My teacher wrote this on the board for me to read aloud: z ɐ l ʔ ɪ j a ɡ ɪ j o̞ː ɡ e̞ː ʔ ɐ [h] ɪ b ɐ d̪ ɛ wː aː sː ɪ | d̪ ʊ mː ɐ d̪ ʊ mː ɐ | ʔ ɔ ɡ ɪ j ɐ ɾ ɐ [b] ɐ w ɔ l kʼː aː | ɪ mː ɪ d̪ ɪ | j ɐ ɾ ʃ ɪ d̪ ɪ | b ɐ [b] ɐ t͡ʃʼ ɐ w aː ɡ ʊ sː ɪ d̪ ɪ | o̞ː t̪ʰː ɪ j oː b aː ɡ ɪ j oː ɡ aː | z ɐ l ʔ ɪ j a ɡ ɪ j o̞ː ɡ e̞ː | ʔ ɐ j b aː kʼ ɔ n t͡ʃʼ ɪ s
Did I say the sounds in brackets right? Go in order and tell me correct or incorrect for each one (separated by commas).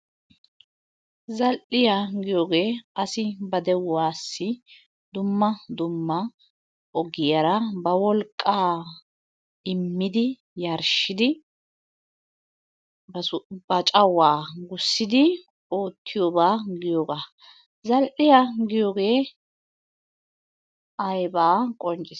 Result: incorrect, correct, correct